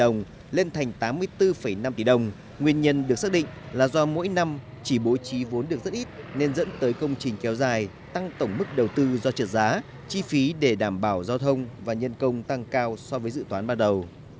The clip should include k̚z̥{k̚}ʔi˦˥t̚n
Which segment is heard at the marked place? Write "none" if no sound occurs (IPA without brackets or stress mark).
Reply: t̚